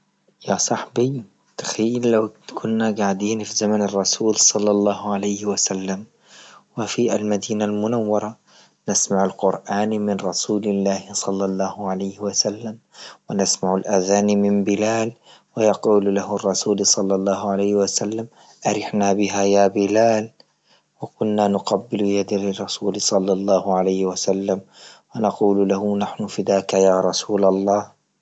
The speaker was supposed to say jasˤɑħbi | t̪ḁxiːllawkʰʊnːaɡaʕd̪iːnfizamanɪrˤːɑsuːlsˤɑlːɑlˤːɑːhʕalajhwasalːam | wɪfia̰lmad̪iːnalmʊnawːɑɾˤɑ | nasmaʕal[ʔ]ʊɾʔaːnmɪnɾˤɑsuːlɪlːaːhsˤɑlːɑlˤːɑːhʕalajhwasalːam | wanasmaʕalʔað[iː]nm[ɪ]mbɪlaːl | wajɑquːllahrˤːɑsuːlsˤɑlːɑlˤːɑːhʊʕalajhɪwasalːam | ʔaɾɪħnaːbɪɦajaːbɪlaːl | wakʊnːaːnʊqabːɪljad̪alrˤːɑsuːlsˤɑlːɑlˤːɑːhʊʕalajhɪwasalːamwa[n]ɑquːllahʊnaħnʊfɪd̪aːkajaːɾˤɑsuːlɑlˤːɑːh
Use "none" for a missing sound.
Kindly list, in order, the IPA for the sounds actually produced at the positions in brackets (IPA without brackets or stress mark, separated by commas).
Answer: q, aː, ɪ, n